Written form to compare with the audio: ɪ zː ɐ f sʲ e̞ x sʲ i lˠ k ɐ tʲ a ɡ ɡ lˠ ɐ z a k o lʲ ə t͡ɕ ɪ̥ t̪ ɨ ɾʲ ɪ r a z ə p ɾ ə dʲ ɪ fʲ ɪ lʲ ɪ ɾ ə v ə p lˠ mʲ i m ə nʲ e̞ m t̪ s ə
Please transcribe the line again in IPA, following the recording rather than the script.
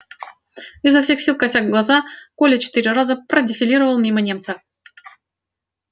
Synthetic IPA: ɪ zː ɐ f sʲ e̞ x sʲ i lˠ k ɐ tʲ a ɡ ɡ lˠ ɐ z a k o lʲ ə t͡ɕ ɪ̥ t̪ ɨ ɾʲ ɪ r a z ə p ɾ ə dʲ ɪ fʲ ɪ lʲ i ɾ ə v ə lˠ mʲ i m ə nʲ e̞ m t̪ s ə